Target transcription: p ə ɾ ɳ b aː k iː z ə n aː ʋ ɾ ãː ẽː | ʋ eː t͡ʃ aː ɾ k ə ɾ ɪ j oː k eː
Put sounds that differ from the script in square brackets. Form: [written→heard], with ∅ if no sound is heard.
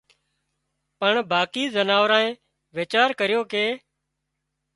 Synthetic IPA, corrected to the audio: p ə [ɾ→∅] ɳ b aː k iː z ə n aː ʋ ɾ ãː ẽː | ʋ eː t͡ʃ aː ɾ k ə ɾ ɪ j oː k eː